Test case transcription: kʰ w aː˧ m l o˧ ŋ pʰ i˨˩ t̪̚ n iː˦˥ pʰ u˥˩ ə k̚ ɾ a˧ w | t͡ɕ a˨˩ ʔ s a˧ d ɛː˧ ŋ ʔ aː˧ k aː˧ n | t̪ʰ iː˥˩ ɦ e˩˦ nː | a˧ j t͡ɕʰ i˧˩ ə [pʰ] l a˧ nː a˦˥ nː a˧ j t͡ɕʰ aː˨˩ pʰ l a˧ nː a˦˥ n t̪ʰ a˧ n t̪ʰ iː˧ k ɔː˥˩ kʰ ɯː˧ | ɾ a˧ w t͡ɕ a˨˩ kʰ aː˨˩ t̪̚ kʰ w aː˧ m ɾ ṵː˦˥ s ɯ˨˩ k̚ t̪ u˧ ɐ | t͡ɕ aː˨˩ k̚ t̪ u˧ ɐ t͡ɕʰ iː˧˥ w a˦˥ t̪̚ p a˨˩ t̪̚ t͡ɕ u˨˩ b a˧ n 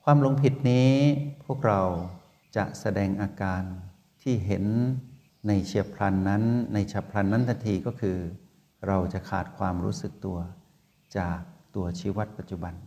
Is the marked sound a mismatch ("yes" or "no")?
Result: no